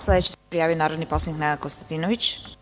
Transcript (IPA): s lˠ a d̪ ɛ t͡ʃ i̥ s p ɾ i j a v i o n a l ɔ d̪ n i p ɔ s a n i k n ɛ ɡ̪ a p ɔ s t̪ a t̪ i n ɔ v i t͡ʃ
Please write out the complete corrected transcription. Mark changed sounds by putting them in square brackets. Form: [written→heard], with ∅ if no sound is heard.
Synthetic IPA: s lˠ [a→ɛ] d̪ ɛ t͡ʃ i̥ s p ɾ i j a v i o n a [l→ɾ] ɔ d̪ n i p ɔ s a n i k n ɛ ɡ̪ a [p→k] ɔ s t̪ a t̪ i n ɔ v i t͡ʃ